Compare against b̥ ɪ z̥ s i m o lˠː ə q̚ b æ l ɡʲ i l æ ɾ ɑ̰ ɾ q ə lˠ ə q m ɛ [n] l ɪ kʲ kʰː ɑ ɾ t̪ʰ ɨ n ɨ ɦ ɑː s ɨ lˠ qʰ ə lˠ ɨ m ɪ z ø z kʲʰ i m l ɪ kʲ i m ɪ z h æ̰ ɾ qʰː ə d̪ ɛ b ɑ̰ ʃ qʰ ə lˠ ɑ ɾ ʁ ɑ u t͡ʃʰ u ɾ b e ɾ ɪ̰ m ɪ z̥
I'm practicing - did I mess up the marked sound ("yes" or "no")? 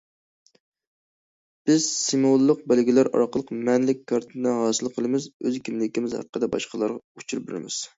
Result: no